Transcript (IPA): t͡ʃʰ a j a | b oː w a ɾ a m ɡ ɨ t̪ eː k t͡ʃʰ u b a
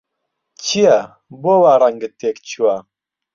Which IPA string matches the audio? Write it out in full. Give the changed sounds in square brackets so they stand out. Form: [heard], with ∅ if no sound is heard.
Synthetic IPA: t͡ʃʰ [i] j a | b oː w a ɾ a [ŋ] ɡ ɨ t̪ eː k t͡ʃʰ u [w] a